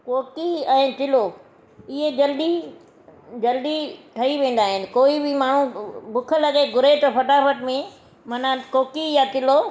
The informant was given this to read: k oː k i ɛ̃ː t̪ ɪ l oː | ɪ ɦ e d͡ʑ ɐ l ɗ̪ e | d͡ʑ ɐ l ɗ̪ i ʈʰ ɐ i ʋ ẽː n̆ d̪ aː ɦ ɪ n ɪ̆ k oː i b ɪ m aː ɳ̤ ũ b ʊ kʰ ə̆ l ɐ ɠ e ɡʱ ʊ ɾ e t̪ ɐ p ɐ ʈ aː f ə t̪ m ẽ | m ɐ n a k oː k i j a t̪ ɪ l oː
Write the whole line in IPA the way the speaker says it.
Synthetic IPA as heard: k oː k i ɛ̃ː t̪ ɪ l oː | ɪ ɦ e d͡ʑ ɐ l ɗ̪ i | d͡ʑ ɐ l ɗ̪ i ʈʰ ɐ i ʋ ẽː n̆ d̪ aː ɦ ɪ n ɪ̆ k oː i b ɪ m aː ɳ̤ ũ b ʊ kʰ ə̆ l ɐ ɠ e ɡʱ ʊ ɾ e t̪ ɐ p ɐ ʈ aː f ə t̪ m ẽ | m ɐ n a k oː k i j a t̪ ɪ l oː